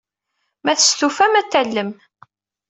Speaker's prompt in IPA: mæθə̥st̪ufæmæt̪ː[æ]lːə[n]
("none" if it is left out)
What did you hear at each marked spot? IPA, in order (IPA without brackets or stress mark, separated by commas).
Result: æ, m